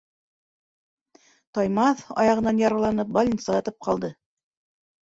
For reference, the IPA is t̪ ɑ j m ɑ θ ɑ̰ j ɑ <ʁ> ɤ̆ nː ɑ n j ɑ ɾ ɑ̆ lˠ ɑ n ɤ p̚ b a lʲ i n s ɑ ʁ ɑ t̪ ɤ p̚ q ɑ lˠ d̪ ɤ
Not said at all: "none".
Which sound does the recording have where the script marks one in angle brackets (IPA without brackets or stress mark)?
ʁ